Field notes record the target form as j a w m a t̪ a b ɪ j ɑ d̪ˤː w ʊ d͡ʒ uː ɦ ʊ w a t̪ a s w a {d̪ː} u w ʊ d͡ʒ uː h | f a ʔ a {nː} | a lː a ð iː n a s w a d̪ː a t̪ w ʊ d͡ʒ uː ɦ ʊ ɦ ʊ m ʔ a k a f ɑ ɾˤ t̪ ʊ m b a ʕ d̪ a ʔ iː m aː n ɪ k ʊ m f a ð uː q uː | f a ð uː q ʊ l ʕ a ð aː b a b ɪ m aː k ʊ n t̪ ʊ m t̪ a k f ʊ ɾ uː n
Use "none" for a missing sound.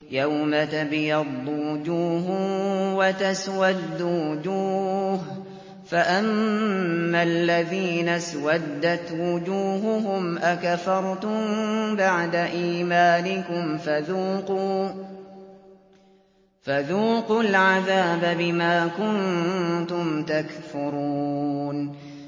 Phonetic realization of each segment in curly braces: d̪ː, mː

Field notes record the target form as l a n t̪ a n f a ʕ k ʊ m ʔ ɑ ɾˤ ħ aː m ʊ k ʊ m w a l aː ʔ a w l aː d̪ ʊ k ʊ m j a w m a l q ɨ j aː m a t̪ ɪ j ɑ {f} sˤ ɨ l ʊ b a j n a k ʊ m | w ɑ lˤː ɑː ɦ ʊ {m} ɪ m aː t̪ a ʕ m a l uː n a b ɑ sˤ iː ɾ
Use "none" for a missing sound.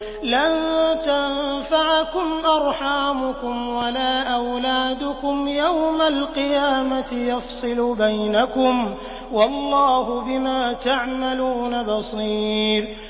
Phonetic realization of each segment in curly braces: f, b

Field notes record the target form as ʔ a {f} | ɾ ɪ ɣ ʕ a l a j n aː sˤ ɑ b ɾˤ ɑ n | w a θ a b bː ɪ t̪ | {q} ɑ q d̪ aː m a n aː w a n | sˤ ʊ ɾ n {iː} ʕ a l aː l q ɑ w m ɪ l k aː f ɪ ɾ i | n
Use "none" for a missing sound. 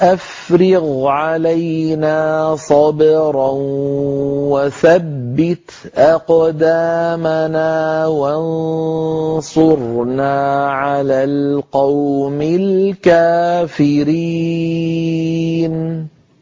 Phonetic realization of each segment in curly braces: f, ʔ, aː

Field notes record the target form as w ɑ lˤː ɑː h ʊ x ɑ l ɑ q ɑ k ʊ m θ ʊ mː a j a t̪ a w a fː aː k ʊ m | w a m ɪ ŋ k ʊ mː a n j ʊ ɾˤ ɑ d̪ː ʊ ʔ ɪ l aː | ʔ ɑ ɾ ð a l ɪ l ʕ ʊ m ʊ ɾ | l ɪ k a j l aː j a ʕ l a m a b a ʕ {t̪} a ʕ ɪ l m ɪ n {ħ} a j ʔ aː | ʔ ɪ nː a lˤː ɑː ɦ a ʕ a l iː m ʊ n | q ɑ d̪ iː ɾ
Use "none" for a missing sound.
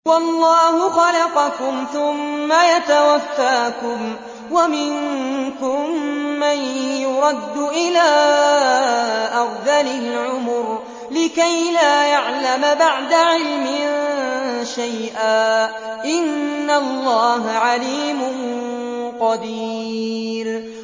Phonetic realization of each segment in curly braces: d̪, ʃ

